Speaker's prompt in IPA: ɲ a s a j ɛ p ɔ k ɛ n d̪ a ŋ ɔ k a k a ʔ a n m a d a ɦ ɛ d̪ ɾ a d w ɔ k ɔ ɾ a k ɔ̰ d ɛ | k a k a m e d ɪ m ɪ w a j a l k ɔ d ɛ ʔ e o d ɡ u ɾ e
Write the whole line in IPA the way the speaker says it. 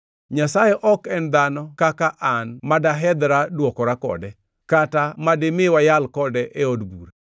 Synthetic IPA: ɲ a s a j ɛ ʔ ɔ k ɛ n d̪ a n ɔ k a k a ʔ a n m a d a ɦ ɛ d̪ ɾ a d w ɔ k ɔ ɾ a k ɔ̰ d ɛ | k a t a m a d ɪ m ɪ w a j a l k ɔ d ɛ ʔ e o d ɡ u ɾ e